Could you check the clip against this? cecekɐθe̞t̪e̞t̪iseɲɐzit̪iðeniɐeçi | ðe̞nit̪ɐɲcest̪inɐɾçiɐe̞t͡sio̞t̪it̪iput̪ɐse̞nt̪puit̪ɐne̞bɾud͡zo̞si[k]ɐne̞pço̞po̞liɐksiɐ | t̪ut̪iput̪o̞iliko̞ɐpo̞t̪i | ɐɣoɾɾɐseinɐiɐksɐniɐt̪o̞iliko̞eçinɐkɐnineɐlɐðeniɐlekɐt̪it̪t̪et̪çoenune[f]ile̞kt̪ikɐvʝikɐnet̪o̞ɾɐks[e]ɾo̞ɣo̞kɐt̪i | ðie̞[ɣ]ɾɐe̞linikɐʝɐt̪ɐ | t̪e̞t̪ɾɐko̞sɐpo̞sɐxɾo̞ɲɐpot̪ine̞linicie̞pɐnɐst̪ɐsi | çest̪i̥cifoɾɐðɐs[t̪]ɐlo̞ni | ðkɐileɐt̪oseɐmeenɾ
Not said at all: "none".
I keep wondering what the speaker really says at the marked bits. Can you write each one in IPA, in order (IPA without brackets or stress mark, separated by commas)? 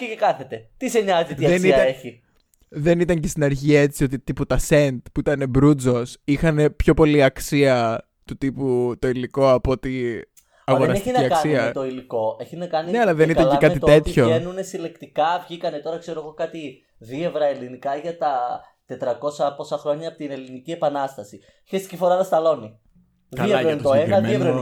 x, s, e, v, t̪